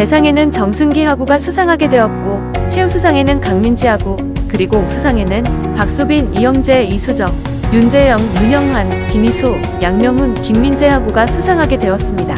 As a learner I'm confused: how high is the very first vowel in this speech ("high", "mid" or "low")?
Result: mid